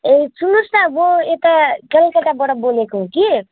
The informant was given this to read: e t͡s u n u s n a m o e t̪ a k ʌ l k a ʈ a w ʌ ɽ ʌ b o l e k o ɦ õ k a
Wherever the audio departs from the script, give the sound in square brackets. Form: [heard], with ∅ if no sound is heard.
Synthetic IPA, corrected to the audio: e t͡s u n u s n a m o e t̪ a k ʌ l k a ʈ a [b] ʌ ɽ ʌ b o l e k o ɦ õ k [i]